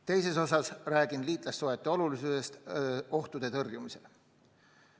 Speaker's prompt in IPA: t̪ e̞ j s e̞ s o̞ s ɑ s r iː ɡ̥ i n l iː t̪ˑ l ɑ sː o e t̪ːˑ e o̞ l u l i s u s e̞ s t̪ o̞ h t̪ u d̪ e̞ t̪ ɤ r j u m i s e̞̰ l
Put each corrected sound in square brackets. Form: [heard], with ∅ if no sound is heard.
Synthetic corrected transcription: t̪ e̞ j s e̞ s o̞ s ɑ s r [æː] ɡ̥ i n l iː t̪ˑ l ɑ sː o e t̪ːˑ e o̞ l u l i s u s e̞ s t̪ o̞ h t̪ u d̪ e̞ t̪ ɤ r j u m i s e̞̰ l